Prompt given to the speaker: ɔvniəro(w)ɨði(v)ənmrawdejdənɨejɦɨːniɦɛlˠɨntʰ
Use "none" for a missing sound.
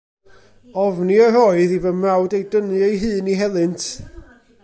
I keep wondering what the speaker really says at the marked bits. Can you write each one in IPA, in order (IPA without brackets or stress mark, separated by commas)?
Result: none, v